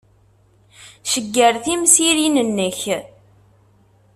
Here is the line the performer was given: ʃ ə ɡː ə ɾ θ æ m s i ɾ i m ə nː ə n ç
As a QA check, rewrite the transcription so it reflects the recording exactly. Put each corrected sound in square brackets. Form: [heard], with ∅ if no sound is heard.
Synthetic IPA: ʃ ə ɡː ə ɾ θ [i] m s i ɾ i [n] ə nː ə [∅] ç